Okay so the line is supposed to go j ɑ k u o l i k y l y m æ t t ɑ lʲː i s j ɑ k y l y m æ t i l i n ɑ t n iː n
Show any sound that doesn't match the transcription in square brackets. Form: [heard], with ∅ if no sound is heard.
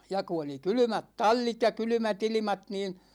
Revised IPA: j ɑ k u o l i k y l y m æ t t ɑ lʲː i [t] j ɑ k y l y m æ t i l i [m] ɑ t n iː n